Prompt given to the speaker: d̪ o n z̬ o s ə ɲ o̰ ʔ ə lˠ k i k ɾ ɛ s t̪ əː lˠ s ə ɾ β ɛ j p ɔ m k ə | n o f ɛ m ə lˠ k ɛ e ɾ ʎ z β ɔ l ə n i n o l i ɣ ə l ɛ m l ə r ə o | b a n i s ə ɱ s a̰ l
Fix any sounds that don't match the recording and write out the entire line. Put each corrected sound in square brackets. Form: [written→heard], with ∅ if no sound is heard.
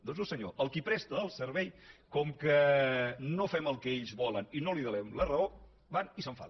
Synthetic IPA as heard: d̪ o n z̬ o s ə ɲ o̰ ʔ ə lˠ k i [k→p] ɾ ɛ s t̪ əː lˠ s ə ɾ β ɛ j [p→k] ɔ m k ə | n o f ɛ m ə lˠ k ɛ e [ɾ→∅] ʎ z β ɔ l ə n i n o l i [ɣ→ð] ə l ɛ m l ə r ə o | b a n i s ə ɱ [s→f] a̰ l

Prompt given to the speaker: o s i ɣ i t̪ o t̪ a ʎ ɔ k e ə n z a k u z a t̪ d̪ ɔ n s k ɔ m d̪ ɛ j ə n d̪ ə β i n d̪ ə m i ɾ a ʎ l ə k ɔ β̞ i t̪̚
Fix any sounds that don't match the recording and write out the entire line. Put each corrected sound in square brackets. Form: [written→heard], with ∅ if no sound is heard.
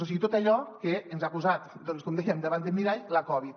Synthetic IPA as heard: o s i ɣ i t̪ o t̪ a ʎ ɔ k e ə n z a k u z a t̪ d̪ ɔ n s k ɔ m d̪ ɛ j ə [n→m] d̪ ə β [i→a] n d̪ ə m i ɾ a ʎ l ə k ɔ β̞ i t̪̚

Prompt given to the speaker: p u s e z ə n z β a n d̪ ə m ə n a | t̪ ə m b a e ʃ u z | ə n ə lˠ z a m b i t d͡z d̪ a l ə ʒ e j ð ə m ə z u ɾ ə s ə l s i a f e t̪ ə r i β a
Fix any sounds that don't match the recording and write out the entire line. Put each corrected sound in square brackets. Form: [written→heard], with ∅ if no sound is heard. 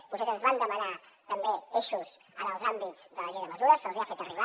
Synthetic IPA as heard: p u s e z ə n z β a n d̪ ə m ə n a | t̪ ə m b [a→e] e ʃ u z | ə n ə lˠ z a m b i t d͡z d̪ [a→ə] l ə ʒ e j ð ə m ə z u ɾ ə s ə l [s→z] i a f e t̪ ə r i β a

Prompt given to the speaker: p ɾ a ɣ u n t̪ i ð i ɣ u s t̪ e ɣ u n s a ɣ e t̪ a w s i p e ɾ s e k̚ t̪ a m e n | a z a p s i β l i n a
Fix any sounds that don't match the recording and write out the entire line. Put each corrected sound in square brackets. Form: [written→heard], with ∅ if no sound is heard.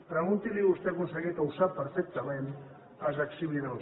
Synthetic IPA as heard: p ɾ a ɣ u n t̪ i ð i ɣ u s t̪ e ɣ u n s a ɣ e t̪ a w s [i→a] p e ɾ [s→f] e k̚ t̪ a m e n | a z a [p→k] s i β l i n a

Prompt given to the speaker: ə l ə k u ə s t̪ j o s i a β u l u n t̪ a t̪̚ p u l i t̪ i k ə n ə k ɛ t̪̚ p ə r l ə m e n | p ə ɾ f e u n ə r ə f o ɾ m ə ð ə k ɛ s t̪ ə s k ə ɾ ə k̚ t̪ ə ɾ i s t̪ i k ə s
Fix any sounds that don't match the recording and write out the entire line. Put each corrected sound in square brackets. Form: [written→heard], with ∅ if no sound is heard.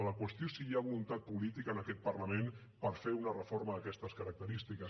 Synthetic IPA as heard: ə l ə k [u→w] ə s t̪ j o s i a β u l u n t̪ a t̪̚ p u l i t̪ i k ə n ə k ɛ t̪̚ p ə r l ə m e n | p ə ɾ f e u n ə r ə f o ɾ m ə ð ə k ɛ s t̪ ə s k ə ɾ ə k̚ t̪ ə ɾ i s t̪ i k ə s

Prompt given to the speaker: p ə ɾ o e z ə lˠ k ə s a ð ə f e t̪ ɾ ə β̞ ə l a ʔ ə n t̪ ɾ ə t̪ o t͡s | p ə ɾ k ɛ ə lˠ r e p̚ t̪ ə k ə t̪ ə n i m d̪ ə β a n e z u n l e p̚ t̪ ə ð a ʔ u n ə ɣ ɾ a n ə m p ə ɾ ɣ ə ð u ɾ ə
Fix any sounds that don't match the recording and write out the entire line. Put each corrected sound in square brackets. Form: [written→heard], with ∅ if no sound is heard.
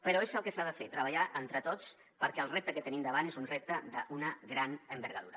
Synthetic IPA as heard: p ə ɾ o e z ə lˠ k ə s a ð ə f e t̪ ɾ ə β̞ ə [l→ʎ] a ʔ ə n t̪ ɾ ə t̪ o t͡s | p ə ɾ k ɛ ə lˠ r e p̚ t̪ ə k ə t̪ ə n i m d̪ ə β a n e z u n [l→r] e p̚ t̪ ə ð [a→ə] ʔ u n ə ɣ ɾ a n ə m [p→b] ə ɾ ɣ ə ð u ɾ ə

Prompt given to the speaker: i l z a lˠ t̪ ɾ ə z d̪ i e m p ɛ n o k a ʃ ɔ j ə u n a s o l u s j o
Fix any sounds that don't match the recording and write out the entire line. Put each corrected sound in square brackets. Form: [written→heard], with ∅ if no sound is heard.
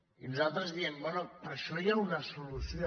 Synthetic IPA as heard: i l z a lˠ t̪ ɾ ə z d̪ i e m [p→b] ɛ n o [k→p] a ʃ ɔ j [ə→a] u n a s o l u s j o

